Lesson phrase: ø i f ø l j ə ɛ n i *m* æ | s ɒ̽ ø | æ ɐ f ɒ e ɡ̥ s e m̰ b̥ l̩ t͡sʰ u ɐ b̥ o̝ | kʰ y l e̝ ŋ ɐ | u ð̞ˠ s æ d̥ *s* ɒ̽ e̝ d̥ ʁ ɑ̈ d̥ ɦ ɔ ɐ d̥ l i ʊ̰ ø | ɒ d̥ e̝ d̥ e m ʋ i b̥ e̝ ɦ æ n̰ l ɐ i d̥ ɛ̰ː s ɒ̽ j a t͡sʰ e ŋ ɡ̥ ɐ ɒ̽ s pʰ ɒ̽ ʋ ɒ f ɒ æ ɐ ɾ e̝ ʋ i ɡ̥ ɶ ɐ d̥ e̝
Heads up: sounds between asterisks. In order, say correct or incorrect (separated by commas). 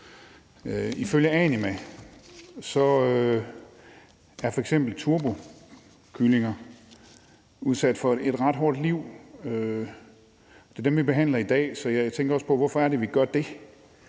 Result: correct, incorrect